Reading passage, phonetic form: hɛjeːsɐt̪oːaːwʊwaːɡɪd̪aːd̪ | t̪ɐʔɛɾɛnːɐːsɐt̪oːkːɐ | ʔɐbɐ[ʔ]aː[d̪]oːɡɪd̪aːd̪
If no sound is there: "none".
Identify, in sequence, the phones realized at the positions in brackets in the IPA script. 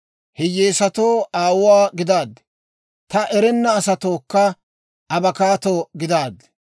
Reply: k, t̪

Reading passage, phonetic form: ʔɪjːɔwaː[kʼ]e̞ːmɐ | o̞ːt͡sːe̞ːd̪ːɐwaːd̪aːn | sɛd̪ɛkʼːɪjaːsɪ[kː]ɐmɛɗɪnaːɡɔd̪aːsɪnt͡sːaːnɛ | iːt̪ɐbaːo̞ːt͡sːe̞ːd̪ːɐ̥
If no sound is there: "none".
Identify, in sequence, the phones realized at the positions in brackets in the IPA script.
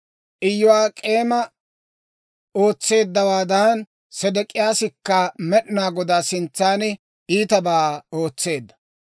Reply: kʼ, kː

